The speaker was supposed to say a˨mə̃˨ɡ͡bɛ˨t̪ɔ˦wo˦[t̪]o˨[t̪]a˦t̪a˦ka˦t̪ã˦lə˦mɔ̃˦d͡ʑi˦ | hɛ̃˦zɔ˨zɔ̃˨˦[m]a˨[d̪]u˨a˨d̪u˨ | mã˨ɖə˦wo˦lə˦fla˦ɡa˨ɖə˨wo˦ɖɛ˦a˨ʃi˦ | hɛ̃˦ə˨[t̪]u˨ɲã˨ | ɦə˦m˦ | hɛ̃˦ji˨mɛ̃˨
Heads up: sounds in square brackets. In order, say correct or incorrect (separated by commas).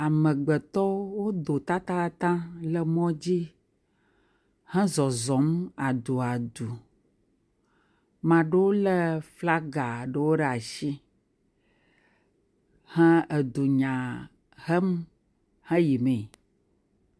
incorrect, correct, correct, correct, incorrect